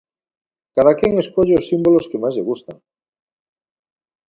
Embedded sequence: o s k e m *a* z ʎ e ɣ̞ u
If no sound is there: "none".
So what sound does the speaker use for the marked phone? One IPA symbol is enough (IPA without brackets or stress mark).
a